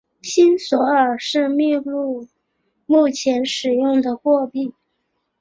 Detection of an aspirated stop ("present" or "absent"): present